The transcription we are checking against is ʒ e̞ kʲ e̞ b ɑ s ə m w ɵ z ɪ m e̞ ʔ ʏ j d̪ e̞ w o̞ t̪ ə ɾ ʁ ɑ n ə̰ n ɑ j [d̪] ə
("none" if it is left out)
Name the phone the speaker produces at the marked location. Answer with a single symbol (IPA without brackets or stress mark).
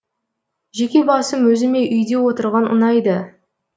d̪